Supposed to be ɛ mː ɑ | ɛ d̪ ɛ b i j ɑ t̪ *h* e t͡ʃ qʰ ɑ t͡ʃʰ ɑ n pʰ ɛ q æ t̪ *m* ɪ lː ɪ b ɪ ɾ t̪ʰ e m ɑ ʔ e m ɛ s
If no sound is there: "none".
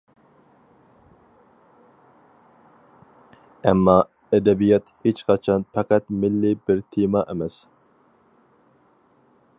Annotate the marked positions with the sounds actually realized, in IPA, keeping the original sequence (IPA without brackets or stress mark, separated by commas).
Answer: h, m